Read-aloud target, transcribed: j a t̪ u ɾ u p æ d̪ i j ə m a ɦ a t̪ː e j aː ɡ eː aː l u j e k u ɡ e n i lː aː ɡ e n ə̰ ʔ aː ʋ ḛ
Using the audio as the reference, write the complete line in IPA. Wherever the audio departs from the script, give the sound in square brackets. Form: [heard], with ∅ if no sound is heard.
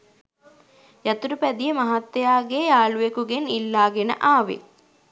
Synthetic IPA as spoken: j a t̪ u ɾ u p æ d̪ i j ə m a ɦ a t̪ː e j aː ɡ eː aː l u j e k u ɡ e n i lː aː ɡ e n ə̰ ʔ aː ʋ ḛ